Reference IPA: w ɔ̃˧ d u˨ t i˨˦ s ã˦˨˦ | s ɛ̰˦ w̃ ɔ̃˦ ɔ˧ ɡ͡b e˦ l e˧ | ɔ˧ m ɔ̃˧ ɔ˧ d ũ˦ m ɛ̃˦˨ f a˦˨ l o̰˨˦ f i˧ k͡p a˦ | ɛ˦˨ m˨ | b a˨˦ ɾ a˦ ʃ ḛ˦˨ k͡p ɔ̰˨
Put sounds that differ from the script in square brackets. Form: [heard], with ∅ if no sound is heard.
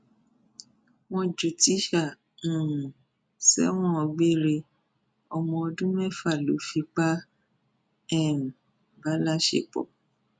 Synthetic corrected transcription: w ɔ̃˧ [d͡ʒ] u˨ t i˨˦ [ʃ] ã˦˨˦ | s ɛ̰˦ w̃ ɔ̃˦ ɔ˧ ɡ͡b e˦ [ɾ] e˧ | ɔ˧ m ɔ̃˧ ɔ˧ d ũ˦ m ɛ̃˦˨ f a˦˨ l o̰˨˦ f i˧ k͡p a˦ | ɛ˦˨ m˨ | b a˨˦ [l] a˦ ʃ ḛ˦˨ k͡p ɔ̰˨